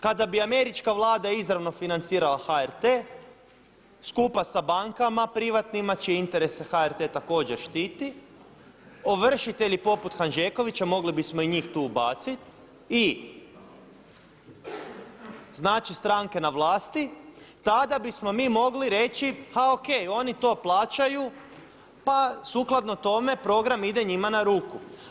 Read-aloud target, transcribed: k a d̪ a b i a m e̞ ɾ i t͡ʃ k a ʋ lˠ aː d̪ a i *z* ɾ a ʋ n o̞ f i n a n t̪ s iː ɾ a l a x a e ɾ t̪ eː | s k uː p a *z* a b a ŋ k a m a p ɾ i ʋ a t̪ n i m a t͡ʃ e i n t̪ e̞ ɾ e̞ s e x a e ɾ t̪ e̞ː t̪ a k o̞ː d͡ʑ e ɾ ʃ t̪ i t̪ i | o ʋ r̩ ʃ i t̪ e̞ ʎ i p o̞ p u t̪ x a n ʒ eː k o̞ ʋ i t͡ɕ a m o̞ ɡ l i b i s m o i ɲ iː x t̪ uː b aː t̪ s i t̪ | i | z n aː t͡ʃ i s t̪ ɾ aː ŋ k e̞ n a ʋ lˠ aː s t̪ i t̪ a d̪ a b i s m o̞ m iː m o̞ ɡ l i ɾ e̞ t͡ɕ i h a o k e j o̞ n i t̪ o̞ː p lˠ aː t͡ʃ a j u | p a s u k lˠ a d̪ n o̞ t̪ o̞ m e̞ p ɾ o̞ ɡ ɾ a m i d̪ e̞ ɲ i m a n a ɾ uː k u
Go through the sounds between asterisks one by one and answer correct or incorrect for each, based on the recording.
correct, incorrect

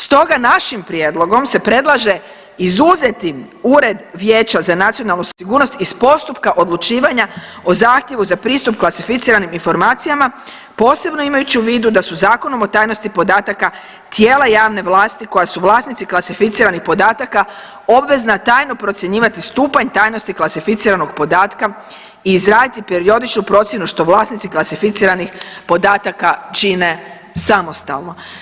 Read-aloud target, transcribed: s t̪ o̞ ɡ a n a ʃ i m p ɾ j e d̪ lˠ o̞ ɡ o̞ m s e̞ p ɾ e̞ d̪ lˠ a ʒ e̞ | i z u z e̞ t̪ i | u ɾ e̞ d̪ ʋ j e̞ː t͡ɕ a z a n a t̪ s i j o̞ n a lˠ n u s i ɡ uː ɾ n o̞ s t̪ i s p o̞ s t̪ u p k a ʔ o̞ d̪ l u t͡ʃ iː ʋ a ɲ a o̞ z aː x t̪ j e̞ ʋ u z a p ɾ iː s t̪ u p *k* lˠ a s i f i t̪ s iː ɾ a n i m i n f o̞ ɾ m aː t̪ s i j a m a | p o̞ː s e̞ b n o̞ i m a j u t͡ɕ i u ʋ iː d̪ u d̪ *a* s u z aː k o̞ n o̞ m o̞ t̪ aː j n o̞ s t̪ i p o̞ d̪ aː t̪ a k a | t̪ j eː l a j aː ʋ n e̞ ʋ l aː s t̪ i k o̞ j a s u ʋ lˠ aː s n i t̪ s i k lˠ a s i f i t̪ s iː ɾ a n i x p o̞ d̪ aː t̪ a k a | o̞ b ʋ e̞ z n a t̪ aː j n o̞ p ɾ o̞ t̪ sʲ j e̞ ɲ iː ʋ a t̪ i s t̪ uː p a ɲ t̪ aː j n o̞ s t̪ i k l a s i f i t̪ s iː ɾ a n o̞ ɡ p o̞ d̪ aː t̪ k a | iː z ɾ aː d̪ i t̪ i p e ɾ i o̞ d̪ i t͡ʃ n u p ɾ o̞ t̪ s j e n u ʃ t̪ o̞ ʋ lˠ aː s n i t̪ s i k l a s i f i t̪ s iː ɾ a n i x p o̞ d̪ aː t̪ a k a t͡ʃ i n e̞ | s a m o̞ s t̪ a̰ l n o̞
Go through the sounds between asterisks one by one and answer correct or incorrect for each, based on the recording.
correct, correct

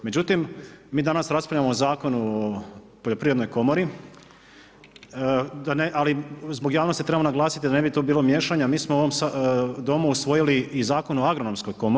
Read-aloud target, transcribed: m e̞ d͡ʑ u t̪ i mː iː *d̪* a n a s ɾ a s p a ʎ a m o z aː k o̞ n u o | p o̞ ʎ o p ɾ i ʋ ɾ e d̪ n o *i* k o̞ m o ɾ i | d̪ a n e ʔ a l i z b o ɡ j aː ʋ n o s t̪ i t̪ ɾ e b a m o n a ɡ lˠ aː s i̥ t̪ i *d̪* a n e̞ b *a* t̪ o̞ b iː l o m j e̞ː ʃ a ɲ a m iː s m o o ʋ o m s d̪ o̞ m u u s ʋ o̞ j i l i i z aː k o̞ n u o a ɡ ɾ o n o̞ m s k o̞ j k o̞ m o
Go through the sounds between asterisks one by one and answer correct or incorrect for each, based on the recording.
correct, incorrect, correct, incorrect

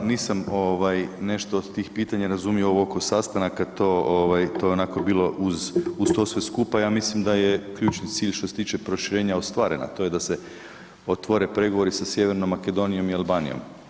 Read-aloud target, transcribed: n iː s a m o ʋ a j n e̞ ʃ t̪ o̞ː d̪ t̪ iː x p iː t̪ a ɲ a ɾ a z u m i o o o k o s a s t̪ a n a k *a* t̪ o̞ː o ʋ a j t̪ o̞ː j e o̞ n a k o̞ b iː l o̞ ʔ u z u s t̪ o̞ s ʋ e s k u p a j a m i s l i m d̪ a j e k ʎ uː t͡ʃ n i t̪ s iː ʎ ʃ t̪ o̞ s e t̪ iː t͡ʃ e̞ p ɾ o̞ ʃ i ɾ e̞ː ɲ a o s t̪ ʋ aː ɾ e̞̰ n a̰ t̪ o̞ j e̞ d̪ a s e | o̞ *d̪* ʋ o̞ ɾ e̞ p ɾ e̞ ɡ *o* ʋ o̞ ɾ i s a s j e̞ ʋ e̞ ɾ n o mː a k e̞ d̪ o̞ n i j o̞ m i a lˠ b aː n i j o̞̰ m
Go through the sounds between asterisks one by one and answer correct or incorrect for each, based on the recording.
correct, incorrect, correct

